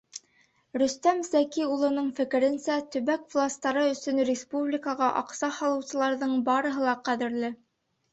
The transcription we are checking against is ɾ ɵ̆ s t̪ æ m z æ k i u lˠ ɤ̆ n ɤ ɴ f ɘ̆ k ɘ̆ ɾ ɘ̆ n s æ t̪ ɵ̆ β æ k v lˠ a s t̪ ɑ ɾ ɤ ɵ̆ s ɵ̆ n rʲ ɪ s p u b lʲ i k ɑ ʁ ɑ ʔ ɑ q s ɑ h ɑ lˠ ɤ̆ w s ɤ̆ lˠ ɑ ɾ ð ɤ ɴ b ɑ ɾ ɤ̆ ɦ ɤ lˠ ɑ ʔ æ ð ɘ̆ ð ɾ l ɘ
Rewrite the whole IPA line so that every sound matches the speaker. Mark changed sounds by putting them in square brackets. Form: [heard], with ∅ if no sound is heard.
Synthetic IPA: ɾ ɵ̆ s t̪ æ m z æ k i u lˠ ɤ̆ n ɤ ɴ f ɘ̆ k ɘ̆ ɾ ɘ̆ n s æ t̪ ɵ̆ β æ k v lˠ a s t̪ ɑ ɾ ɤ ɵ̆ s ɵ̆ n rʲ ɪ s p u b lʲ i k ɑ ʁ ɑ ʔ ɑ q s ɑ h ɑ lˠ ɤ̆ w s ɤ̆ lˠ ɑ ɾ ð ɤ ɴ b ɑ ɾ ɤ̆ ɦ ɤ lˠ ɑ [q] æ ð ɘ̆ [∅] ɾ l ɘ